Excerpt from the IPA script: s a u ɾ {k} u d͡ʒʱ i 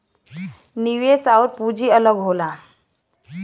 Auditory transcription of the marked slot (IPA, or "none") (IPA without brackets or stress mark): p